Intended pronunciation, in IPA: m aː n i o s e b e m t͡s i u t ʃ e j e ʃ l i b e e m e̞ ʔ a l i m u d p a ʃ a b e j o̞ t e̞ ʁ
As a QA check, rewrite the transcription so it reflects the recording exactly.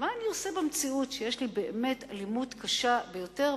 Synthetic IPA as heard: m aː n i o s e b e m t͡s i u t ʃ e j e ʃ l i b e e m e̞ t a l i m u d k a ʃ a b e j o̞ t e̞ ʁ